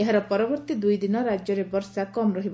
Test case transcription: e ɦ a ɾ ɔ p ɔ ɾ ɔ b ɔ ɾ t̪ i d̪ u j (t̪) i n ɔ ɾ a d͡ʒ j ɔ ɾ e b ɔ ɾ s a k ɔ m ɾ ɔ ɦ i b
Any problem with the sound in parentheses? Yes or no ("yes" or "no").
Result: yes